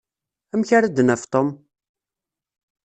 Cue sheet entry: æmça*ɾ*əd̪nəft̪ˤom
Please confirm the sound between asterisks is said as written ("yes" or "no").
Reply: yes